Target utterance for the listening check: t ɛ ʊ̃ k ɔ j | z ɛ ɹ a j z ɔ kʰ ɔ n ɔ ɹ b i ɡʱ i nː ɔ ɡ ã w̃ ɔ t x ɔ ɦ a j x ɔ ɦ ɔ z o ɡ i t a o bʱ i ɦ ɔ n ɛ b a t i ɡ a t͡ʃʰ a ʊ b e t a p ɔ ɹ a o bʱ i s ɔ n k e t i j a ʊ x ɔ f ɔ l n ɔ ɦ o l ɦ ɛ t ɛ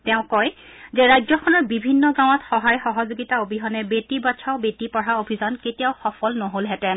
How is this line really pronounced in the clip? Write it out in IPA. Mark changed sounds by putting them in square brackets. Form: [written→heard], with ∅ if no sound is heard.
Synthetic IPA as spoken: t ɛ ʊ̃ k ɔ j | z ɛ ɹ a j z ɔ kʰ ɔ n ɔ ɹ b i [ɡʱ→bʱ] i nː ɔ ɡ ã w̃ ɔ t x ɔ ɦ a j x ɔ ɦ ɔ z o ɡ i t a o bʱ i ɦ ɔ n ɛ b [a→e] t i [ɡ→b] a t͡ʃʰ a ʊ b e t [a→i] p ɔ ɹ a o bʱ i [s→z] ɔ n k e t i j a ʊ x ɔ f ɔ l n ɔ ɦ o l ɦ ɛ t ɛ